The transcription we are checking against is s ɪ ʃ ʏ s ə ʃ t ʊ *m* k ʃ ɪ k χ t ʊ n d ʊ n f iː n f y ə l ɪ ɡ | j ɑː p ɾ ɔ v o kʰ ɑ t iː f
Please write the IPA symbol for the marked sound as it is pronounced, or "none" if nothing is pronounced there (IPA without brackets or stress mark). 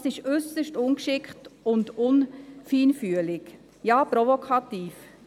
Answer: n